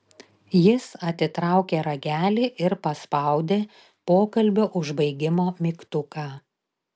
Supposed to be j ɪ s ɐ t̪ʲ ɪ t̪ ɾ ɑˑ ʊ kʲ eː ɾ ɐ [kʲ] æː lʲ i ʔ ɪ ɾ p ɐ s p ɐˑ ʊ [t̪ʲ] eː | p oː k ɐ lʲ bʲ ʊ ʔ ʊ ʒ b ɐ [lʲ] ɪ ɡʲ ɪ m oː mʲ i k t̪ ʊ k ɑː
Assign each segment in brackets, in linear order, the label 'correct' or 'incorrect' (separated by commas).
incorrect, incorrect, incorrect